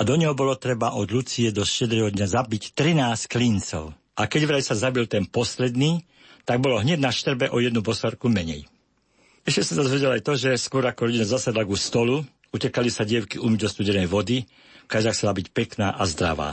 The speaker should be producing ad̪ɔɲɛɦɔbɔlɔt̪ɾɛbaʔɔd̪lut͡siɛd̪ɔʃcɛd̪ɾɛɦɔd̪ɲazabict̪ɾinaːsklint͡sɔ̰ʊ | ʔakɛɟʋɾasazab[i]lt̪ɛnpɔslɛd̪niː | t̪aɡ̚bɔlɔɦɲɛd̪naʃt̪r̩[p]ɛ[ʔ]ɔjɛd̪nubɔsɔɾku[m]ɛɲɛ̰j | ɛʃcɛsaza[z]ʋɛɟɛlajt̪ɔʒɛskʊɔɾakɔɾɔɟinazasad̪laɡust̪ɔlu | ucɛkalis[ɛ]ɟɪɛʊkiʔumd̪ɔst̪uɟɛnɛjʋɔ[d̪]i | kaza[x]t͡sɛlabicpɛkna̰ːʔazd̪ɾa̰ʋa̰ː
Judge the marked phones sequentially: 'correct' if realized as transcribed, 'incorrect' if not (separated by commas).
correct, incorrect, correct, correct, correct, incorrect, correct, correct